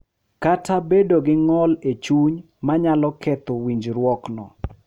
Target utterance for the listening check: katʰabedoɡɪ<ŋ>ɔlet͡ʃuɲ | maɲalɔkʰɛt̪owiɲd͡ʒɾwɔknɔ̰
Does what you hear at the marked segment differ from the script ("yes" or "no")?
no